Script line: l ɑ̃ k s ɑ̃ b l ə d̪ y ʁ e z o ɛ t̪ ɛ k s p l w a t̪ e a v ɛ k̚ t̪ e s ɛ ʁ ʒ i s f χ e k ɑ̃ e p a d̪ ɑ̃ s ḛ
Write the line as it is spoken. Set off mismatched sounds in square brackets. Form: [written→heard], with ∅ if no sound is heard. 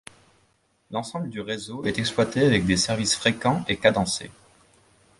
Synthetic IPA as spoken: l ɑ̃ [k→∅] s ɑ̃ b l ə d̪ y ʁ e z o ɛ t̪ ɛ k s p l w a t̪ e a v ɛ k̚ [t̪→d̪] e s ɛ ʁ [ʒ→v] i s f χ e k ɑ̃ e [p→k] a d̪ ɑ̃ s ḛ